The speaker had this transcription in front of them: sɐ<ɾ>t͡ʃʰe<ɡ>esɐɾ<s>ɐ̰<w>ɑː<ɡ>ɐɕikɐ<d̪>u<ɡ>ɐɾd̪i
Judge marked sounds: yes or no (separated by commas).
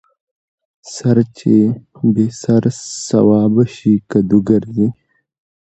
yes, no, yes, yes, no, yes, yes